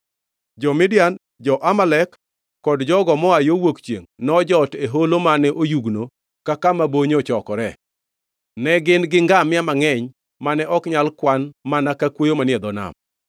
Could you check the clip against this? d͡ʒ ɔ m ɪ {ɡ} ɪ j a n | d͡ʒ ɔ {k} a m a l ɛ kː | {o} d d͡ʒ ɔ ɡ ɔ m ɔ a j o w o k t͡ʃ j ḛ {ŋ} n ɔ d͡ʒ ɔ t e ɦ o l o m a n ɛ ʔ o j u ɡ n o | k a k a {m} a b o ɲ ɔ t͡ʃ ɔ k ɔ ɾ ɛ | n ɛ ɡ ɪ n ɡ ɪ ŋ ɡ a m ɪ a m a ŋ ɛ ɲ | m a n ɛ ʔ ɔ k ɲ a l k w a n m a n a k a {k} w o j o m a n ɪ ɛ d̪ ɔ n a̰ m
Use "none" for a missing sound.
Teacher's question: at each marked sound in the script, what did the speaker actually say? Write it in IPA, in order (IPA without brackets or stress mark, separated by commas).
d, ʔ, ɔ, ŋ, m, k